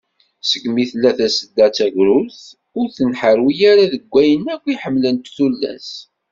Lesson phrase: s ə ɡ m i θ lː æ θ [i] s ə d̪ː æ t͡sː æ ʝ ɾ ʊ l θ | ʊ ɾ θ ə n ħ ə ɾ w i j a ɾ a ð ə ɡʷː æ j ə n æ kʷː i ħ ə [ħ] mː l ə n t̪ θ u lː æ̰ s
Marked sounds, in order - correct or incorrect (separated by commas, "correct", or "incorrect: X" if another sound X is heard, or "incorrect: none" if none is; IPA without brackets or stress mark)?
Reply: incorrect: æ, incorrect: none